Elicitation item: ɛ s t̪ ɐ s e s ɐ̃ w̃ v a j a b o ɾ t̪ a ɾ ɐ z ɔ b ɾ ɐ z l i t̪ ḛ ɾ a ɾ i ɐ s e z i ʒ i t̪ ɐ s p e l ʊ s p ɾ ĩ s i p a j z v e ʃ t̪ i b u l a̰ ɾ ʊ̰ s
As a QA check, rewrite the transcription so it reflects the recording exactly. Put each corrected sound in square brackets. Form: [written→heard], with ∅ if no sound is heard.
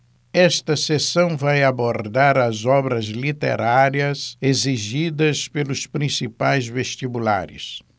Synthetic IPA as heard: ɛ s t̪ ɐ s e s ɐ̃ w̃ v a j a b o ɾ [t̪→d̪] a ɾ ɐ z ɔ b ɾ ɐ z l i t̪ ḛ ɾ a ɾ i ɐ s e z i ʒ i [t̪→d̪] ɐ s p e l ʊ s p ɾ ĩ s i p a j z v e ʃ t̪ i b u l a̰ ɾ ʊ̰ s